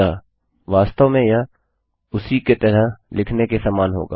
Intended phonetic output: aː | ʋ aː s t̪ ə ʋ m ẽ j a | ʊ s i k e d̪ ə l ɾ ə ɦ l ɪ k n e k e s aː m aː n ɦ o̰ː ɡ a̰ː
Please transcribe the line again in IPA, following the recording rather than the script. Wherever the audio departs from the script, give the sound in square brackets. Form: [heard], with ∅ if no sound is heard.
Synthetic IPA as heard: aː | ʋ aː s t̪ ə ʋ m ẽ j a | ʊ s i k e [t̪] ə [∅] ɾ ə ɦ l ɪ [kʰ] n e k e s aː m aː n ɦ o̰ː ɡ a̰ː